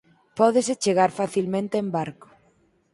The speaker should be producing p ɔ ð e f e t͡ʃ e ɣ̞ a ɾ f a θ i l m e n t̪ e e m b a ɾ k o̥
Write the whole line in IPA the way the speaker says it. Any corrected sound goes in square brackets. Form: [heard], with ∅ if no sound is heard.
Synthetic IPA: p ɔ ð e [s] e t͡ʃ e ɣ̞ a ɾ f a θ i l m [ẽ] n t̪ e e m b a ɾ k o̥